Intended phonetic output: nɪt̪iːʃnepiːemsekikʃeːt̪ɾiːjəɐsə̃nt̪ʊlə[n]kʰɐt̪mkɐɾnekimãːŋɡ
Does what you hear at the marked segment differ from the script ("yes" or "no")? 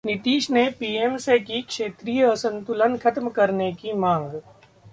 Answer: no